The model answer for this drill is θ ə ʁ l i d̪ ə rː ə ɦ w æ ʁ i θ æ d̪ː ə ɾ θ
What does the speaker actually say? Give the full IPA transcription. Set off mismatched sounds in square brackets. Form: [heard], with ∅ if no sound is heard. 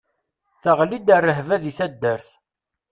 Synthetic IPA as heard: θ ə ʁ l i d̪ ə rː ə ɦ [v] æ [ð] i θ æ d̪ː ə ɾ θ